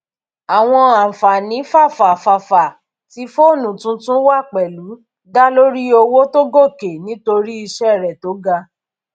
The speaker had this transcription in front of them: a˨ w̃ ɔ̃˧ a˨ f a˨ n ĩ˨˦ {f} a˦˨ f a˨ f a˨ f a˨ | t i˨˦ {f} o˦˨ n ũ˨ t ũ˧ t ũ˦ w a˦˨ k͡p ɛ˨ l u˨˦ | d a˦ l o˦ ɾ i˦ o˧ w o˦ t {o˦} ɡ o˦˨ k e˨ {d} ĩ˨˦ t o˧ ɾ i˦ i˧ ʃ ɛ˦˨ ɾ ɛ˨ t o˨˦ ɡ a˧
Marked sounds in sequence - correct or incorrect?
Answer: correct, correct, correct, incorrect: n

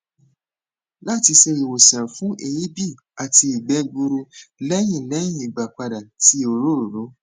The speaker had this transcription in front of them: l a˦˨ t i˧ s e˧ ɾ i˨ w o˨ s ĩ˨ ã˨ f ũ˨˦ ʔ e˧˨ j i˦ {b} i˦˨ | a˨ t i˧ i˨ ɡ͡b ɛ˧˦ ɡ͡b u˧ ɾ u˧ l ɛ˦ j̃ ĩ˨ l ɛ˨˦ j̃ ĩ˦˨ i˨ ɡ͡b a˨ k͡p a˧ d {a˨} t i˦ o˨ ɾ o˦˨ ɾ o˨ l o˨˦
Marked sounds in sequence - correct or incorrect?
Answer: correct, correct

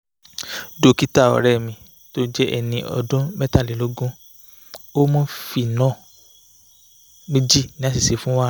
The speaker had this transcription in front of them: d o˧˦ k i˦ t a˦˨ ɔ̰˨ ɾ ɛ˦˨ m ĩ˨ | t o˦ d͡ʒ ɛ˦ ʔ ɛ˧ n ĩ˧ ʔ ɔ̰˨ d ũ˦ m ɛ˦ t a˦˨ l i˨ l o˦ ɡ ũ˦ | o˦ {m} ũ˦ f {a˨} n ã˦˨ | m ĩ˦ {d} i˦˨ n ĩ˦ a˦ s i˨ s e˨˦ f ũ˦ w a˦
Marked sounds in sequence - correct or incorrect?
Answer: correct, incorrect: i˨, incorrect: d͡ʒ

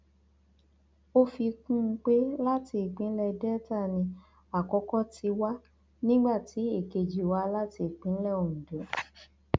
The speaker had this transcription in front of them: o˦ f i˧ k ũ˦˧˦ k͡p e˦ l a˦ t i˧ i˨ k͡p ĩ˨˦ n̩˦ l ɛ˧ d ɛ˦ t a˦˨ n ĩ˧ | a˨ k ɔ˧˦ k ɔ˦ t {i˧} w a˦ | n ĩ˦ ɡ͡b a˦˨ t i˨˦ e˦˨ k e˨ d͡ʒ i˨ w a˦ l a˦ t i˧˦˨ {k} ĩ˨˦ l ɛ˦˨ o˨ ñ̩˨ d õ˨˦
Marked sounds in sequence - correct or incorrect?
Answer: correct, incorrect: k͡p

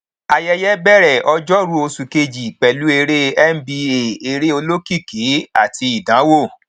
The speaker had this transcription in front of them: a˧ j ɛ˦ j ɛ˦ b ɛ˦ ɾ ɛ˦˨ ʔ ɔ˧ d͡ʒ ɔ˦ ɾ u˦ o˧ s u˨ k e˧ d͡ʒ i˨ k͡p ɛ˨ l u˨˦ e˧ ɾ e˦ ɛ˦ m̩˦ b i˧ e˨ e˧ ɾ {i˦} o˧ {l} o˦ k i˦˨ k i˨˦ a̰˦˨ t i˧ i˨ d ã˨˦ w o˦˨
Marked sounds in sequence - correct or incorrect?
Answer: incorrect: e˦, correct

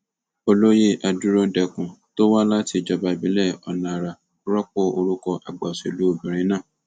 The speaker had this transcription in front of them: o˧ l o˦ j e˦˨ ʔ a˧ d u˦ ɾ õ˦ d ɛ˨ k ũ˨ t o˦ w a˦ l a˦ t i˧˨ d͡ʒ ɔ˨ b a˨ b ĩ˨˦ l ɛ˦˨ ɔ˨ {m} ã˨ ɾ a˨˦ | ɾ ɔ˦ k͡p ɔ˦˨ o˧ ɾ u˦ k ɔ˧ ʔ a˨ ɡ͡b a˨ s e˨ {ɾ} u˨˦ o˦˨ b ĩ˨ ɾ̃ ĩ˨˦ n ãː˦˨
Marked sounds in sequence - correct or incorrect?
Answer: incorrect: n, incorrect: l

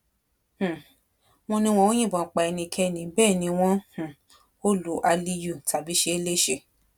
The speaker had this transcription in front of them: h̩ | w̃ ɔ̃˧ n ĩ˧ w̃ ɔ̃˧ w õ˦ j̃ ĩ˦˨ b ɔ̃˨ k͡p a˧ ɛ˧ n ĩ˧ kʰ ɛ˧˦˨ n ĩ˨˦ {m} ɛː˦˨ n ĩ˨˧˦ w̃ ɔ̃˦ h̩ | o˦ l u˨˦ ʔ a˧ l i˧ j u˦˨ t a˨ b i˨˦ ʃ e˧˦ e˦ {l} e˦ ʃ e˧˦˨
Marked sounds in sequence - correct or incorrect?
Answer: incorrect: b, correct

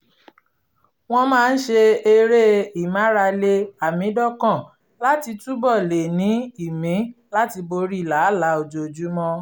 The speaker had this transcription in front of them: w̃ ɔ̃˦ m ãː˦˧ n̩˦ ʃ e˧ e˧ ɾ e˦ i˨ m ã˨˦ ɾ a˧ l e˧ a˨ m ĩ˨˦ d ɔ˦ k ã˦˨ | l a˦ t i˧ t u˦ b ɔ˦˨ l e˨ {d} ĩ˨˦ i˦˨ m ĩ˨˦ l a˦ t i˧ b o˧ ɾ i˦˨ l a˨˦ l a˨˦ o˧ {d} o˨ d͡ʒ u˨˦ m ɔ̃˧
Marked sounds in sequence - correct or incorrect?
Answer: incorrect: n, incorrect: d͡ʒ

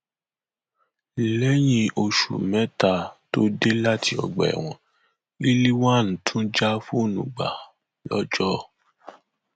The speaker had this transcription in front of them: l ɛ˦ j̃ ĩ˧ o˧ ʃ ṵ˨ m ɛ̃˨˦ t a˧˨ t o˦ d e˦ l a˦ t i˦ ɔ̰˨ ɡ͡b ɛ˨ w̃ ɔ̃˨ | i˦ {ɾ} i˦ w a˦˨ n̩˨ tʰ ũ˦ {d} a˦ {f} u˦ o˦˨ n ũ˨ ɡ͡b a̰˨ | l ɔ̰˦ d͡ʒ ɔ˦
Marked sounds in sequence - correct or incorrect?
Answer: incorrect: l, incorrect: d͡ʒ, correct

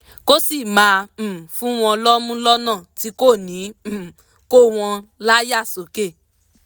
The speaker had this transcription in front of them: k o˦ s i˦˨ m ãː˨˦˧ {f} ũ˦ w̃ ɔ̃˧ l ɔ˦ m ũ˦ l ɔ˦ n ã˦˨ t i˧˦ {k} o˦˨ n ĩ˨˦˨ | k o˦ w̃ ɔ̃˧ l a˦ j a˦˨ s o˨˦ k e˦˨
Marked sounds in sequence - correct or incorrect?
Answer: correct, correct

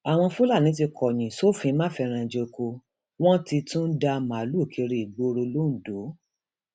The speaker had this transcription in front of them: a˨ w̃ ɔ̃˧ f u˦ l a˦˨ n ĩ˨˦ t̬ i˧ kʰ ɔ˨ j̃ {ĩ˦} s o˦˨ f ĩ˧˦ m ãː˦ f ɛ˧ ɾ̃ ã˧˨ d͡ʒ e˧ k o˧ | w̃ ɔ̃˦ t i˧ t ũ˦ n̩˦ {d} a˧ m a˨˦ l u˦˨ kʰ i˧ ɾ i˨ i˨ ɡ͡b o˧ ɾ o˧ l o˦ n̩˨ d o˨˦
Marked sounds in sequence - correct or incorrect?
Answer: incorrect: ĩ˨, correct

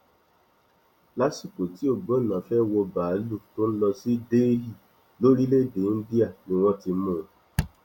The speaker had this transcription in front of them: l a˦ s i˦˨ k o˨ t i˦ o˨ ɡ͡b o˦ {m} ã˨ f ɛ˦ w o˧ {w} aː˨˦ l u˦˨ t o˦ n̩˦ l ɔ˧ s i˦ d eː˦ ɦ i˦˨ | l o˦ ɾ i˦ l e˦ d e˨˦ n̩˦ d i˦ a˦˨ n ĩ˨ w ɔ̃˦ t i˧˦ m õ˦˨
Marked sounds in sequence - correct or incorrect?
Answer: incorrect: n, incorrect: b

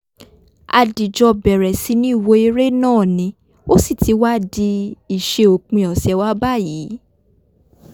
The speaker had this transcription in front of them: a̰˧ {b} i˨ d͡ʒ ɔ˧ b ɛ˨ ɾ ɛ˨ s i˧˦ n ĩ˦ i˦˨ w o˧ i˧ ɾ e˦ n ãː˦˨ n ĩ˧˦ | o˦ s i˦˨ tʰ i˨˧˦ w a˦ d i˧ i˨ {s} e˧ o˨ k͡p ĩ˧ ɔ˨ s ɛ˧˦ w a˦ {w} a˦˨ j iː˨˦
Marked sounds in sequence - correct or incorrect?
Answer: incorrect: d, incorrect: ʃ, incorrect: b

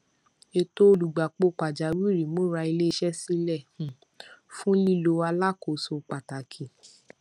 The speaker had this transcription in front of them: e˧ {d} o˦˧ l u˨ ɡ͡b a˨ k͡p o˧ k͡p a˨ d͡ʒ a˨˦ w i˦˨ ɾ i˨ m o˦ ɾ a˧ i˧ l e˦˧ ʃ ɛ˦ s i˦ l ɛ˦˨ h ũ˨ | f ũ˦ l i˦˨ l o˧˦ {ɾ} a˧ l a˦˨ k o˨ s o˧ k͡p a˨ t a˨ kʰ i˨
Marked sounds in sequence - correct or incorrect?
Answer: incorrect: t, incorrect: none

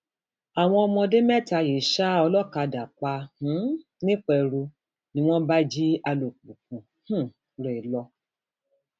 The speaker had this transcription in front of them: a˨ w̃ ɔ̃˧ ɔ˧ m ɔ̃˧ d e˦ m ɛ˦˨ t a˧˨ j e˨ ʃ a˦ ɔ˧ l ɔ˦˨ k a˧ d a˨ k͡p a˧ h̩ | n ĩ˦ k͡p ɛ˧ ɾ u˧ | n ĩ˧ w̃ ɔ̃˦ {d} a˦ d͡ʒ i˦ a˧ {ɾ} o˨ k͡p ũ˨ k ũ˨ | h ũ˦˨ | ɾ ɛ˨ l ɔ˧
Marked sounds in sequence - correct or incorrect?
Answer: incorrect: b, incorrect: l

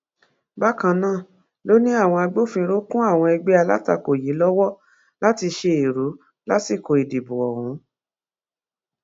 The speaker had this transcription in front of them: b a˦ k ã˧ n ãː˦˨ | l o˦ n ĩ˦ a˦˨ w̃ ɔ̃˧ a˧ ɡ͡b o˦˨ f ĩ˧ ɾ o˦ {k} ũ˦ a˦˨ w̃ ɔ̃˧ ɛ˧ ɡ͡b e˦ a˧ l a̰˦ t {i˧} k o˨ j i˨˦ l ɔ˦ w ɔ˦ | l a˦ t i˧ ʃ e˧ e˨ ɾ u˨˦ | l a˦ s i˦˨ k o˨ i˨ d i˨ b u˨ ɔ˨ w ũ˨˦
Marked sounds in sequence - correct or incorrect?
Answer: correct, incorrect: a˧

